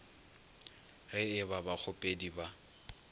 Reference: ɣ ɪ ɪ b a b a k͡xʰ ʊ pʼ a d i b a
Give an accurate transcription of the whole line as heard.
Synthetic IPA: ɣ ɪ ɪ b a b a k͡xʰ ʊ pʼ e d i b a